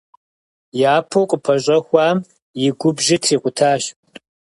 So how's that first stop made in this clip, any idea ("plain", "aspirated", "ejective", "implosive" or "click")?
aspirated